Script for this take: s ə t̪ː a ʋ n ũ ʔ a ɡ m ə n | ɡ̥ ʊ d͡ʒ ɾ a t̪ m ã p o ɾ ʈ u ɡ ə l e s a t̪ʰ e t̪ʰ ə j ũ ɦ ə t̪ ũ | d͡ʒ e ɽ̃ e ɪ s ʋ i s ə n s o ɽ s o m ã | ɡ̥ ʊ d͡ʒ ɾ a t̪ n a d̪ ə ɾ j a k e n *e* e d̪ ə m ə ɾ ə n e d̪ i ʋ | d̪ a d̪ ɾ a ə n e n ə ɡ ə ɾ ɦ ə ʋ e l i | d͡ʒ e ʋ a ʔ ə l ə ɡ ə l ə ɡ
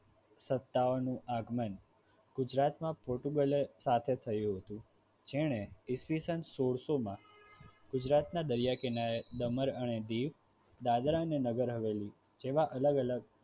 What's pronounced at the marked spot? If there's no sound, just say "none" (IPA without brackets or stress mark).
a